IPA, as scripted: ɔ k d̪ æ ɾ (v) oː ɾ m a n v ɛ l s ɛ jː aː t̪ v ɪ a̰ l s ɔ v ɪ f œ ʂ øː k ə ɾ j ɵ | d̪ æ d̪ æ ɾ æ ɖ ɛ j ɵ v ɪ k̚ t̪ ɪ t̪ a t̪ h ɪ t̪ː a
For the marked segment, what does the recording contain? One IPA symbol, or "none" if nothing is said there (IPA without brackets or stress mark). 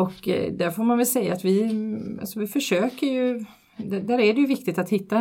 f